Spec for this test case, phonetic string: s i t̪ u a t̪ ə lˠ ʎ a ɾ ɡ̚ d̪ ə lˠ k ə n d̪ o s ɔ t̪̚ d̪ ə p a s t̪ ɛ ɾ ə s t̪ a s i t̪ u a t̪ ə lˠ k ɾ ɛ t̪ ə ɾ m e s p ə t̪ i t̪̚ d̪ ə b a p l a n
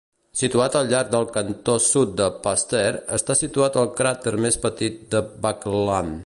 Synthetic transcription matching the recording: s i t̪ u a t̪ ə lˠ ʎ a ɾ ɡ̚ d̪ ə lˠ k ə n t̪ o s u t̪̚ d̪ ə p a s t̪ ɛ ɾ ə s t̪ a s i t̪ u a t̪ ə lˠ k ɾ a t̪ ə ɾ m e s p ə t̪ i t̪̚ d̪ ə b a k l a n